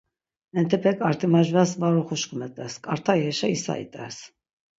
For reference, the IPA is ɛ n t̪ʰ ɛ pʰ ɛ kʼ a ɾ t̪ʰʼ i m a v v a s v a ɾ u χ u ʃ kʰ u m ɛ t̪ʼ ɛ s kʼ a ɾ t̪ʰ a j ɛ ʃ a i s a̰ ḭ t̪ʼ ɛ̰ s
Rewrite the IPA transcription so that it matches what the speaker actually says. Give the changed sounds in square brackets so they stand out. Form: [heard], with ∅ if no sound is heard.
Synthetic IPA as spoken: ɛ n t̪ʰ ɛ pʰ ɛ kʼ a ɾ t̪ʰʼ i m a [ʒ] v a s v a ɾ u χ u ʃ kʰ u m ɛ t̪ʼ ɛ s kʼ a ɾ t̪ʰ a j ɛ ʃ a i s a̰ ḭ t̪ʼ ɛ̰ s